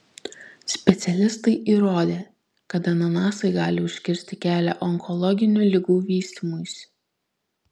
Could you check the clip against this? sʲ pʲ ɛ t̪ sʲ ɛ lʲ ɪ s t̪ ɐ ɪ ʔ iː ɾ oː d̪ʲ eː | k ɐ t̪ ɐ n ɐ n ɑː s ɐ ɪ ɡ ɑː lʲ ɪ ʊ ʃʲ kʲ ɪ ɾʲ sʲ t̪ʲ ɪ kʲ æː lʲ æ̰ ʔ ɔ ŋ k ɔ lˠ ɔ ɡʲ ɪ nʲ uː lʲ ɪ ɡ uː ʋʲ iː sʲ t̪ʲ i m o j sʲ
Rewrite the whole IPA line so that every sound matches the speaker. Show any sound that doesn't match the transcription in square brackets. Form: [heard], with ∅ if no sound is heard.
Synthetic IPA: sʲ pʲ ɛ t̪ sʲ ɛ lʲ ɪ s t̪ ɐ ɪ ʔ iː ɾ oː d̪ʲ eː | k ɐ t̪ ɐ n ɐ n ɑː s ɐ ɪ ɡ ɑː lʲ ɪ ʊ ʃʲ kʲ ɪ ɾʲ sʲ t̪ʲ ɪ kʲ æː lʲ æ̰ ʔ ɔ ŋ k ɔ lˠ ɔ ɡʲ ɪ nʲ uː lʲ ɪ ɡ uː ʋʲ iː sʲ t̪ʲ i m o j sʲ